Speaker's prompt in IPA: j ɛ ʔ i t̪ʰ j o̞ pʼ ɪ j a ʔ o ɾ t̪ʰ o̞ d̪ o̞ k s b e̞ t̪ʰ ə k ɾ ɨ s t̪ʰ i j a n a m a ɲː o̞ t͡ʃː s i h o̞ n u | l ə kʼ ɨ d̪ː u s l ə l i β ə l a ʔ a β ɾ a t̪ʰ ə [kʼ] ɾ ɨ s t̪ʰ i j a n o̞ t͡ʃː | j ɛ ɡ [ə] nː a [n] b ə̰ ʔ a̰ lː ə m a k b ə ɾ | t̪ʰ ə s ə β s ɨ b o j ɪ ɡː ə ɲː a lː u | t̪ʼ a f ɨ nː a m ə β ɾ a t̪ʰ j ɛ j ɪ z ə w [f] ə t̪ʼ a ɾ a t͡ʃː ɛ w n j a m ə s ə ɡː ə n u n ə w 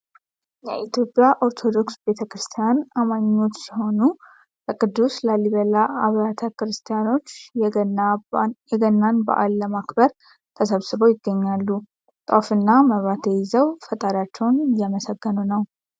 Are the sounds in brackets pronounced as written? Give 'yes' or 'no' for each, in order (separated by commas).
no, yes, yes, yes